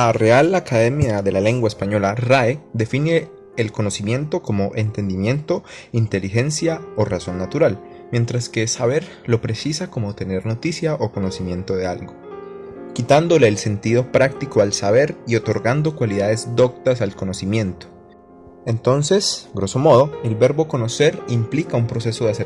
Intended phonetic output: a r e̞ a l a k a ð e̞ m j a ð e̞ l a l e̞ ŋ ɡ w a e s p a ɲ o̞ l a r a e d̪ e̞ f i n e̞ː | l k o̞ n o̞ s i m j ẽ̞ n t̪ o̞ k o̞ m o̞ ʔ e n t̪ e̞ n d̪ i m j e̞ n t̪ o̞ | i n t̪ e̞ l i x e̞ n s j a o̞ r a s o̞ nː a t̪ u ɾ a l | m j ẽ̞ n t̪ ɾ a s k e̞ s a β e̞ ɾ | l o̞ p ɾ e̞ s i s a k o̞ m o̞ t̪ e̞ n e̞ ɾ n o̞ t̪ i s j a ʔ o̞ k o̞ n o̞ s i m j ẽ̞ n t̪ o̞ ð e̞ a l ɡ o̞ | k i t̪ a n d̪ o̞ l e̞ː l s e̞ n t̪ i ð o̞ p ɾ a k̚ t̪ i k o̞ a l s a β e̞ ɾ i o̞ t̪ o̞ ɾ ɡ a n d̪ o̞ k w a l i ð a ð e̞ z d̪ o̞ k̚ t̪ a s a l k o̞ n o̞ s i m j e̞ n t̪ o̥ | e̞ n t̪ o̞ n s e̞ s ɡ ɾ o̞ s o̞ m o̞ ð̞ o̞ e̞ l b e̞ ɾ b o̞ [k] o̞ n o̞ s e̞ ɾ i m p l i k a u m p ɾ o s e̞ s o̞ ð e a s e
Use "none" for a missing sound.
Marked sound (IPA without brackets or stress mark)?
k